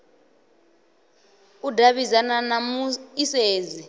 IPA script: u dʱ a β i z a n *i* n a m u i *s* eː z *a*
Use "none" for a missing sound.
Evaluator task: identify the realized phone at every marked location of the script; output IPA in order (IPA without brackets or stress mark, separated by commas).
a, s, i